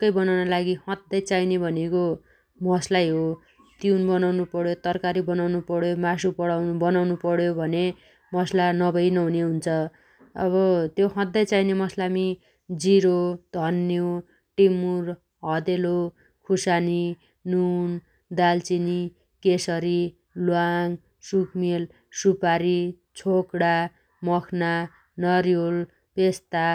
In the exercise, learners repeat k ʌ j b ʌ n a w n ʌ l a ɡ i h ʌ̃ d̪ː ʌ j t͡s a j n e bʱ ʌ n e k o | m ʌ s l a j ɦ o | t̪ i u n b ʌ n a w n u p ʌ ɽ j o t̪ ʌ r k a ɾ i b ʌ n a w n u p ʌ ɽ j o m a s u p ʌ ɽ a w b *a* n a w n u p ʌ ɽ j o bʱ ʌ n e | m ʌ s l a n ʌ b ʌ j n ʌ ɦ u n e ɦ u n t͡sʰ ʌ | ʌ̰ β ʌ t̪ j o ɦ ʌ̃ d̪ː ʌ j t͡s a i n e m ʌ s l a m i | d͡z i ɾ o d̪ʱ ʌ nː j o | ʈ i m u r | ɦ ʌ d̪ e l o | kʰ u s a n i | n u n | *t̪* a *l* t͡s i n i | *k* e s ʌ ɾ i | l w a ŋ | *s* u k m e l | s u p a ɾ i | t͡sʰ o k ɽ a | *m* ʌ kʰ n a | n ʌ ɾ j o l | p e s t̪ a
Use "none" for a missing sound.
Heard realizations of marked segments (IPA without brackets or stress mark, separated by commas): ʌ, d̪, l, k, s, m